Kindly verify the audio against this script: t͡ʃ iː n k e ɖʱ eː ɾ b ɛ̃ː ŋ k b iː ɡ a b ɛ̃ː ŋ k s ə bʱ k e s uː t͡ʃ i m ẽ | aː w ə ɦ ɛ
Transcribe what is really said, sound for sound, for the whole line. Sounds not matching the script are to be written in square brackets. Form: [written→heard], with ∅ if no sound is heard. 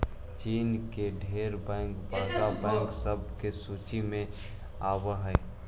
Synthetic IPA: t͡ʃ iː n k e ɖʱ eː ɾ b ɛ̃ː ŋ k b [iː→aː] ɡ a b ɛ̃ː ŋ k s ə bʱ k e s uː t͡ʃ i m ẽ | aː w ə ɦ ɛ